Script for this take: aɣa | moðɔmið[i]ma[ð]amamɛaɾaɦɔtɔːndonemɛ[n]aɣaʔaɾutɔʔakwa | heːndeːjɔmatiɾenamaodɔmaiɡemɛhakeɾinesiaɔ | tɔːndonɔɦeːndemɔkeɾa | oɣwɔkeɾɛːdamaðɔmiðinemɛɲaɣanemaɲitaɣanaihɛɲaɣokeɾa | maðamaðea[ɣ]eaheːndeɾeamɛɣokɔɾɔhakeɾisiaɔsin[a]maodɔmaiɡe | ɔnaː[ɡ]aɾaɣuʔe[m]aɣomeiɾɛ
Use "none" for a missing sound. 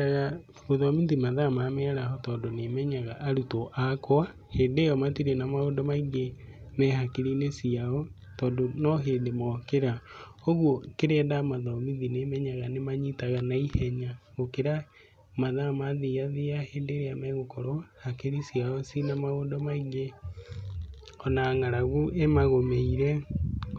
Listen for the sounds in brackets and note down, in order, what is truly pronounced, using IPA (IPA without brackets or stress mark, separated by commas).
i, ð, ɲ, ð, a, ŋ, m